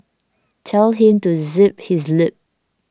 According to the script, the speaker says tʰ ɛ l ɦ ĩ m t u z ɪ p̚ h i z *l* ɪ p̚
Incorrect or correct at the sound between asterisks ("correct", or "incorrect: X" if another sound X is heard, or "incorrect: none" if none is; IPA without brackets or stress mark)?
correct